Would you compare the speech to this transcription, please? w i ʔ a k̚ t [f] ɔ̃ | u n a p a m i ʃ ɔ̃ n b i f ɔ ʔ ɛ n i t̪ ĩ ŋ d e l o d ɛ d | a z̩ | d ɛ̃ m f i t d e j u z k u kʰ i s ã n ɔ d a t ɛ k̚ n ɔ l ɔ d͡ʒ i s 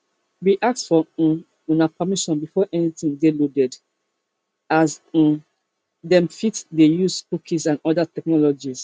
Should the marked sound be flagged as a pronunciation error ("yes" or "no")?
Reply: no